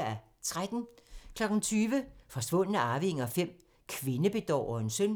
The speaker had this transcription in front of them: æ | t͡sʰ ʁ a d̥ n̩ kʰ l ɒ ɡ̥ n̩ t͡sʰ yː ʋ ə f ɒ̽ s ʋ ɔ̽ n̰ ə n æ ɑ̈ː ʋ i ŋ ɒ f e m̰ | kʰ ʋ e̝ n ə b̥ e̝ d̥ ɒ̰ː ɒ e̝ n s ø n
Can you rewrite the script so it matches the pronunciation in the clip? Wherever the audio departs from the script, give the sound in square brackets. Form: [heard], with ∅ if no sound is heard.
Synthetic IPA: æ | t͡sʰ ʁ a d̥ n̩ kʰ l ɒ ɡ̥ n̩ t͡sʰ yː ʋ ə f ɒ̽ s ʋ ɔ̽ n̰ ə n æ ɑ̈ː ʋ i ŋ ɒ f e m̰ | kʰ ʋ e̝ n ə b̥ e̝ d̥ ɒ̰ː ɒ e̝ n s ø n